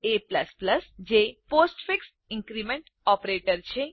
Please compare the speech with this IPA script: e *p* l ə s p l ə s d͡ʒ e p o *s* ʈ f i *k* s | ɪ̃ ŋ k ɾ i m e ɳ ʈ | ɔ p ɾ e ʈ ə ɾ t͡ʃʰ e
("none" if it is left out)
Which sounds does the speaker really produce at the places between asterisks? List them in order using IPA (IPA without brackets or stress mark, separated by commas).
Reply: p, s, k